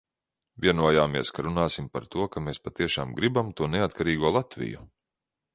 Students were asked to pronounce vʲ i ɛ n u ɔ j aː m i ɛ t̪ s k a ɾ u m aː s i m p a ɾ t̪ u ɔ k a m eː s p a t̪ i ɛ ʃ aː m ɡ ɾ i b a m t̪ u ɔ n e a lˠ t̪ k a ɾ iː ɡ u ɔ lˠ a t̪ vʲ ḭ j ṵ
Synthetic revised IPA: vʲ i ɛ n u ɔ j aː m i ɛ s k a ɾ u n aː s i m p a ɾ t̪ u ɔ k a m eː s p a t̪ i ɛ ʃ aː m ɡ ɾ i b a m t̪ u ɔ n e a t̪ k a ɾ iː ɡ u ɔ lˠ a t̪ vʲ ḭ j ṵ